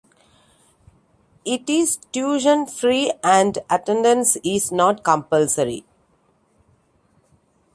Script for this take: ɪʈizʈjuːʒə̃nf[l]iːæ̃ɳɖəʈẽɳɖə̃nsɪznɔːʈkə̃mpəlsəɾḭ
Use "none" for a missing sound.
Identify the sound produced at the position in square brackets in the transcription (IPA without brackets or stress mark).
ɾ